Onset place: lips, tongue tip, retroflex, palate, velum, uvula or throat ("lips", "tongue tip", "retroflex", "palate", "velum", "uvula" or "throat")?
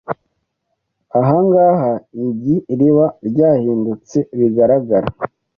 throat